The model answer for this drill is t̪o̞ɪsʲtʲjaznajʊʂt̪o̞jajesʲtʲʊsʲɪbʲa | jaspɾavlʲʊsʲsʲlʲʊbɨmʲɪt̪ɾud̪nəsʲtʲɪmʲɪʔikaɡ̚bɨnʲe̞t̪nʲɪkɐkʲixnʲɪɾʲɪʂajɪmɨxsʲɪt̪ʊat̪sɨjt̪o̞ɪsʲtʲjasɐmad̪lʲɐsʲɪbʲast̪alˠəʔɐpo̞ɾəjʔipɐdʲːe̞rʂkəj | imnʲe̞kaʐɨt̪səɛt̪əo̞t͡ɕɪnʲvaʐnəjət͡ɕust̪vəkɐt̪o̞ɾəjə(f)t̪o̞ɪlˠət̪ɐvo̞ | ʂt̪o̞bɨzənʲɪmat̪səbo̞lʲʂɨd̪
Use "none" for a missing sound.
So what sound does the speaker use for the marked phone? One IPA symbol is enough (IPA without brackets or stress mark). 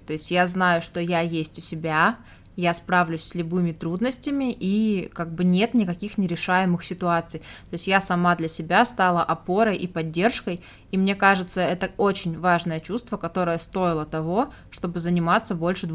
s